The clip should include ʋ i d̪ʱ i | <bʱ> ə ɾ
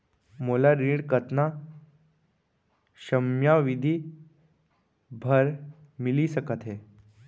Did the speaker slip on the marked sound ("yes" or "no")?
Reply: no